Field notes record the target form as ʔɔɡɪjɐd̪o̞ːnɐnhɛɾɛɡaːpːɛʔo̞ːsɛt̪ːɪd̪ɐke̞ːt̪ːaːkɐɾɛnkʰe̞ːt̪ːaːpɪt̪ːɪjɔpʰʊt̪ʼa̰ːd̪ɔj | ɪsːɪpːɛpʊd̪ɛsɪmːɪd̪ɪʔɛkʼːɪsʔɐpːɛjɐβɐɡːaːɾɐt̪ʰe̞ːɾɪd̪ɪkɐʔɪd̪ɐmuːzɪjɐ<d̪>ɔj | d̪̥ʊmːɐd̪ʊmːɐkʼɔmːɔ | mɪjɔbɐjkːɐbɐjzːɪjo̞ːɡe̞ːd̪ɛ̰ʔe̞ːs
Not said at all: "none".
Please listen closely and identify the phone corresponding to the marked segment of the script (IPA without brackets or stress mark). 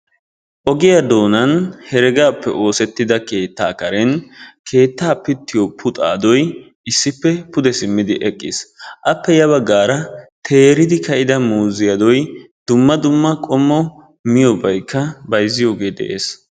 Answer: d̪